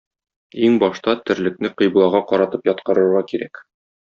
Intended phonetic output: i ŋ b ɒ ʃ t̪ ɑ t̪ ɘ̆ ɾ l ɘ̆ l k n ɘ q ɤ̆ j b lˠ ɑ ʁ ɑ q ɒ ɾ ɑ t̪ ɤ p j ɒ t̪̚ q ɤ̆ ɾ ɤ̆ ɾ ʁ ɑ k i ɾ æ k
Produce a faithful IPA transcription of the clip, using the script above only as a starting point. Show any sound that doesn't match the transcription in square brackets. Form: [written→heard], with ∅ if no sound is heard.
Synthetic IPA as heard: i ŋ b ɒ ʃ t̪ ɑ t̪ ɘ̆ ɾ l ɘ̆ [l→∅] k n ɘ q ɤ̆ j b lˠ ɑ ʁ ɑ q ɒ ɾ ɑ t̪ ɤ p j ɒ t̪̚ q ɤ̆ ɾ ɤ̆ ɾ ʁ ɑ k i ɾ æ k